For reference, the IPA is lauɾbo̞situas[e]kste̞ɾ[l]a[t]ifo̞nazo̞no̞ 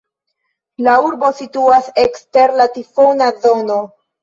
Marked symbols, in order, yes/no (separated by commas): yes, yes, yes